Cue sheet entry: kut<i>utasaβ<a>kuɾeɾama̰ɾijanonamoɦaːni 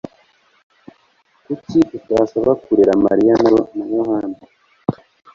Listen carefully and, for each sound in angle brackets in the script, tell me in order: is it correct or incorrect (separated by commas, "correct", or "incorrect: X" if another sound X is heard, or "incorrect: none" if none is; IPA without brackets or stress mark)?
correct, correct